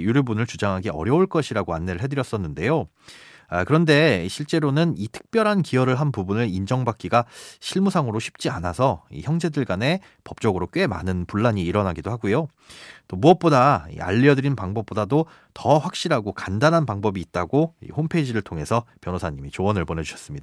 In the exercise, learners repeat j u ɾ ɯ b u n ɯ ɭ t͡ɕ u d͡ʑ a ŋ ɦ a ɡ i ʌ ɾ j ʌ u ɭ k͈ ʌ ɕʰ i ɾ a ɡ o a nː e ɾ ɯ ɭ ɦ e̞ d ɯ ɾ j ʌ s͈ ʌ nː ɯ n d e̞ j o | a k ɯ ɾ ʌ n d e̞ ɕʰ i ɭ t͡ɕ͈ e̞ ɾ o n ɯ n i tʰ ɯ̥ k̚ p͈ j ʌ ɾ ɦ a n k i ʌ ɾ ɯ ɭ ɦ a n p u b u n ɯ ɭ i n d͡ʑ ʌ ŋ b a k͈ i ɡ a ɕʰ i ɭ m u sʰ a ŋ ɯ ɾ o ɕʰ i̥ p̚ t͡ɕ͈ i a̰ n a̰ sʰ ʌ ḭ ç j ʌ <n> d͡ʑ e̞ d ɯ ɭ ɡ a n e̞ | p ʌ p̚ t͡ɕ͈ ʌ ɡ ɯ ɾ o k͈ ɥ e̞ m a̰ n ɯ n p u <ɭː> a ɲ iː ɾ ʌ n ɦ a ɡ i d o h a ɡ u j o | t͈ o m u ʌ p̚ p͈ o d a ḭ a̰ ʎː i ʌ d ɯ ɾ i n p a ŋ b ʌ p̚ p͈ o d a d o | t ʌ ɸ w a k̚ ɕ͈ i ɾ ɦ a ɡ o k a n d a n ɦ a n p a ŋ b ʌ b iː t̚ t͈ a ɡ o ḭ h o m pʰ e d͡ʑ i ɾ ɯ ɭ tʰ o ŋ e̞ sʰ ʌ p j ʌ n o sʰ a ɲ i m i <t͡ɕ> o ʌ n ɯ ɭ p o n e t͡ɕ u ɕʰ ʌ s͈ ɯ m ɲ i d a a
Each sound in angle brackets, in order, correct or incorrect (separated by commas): incorrect, correct, correct